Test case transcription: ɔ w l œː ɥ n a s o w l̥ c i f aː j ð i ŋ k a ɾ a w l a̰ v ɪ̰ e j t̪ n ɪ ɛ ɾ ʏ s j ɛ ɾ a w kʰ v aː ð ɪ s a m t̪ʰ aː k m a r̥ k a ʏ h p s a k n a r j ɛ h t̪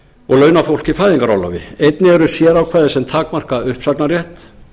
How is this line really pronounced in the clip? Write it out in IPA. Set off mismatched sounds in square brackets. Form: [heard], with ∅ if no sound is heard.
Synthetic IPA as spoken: ɔ [ɣ] l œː ɥ n a [f] o w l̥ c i f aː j ð i ŋ k a ɾ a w l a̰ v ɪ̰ e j t̪ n ɪ ɛ ɾ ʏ s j ɛ ɾ a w kʰ v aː ð ɪ s [ɛ] m t̪ʰ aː k m a r̥ k a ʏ h p s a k n a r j ɛ h t̪